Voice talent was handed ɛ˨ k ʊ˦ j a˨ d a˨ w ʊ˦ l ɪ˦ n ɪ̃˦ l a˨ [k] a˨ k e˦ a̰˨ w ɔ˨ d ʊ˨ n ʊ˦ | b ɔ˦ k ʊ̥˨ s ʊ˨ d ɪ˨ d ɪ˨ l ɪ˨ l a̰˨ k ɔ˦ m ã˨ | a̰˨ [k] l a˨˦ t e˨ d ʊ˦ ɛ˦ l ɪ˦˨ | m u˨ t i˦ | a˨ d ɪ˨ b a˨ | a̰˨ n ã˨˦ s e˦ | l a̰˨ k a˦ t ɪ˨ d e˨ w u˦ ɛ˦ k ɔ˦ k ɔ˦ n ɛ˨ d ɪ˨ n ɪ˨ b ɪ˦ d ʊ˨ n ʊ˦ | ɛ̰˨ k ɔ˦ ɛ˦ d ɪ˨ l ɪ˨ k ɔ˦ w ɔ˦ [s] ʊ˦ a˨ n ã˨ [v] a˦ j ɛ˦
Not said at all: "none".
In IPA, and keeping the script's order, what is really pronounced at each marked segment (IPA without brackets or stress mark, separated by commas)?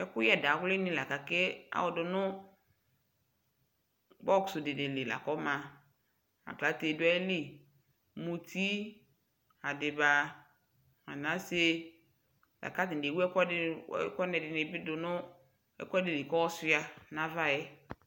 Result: k, k, s, v